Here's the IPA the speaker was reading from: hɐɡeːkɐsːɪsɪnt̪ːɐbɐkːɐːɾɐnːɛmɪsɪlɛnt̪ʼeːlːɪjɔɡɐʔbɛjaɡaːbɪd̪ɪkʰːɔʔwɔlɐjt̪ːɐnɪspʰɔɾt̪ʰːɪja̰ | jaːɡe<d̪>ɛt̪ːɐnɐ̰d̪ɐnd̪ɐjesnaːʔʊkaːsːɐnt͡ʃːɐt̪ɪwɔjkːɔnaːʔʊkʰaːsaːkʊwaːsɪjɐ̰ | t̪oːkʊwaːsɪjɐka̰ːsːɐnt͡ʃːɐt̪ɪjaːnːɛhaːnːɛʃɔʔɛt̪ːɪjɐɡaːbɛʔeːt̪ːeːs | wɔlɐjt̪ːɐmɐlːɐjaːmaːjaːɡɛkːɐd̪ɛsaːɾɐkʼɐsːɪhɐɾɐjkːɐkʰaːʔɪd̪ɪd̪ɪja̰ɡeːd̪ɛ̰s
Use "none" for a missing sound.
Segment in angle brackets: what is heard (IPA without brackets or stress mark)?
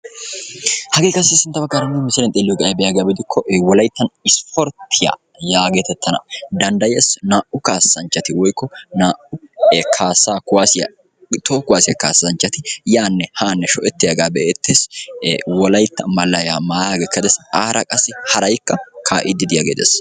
t̪